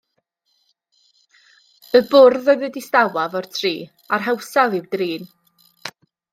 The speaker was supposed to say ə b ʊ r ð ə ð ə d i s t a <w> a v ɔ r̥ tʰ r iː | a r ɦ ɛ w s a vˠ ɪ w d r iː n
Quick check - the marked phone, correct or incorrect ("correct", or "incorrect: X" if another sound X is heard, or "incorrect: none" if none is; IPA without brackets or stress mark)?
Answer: correct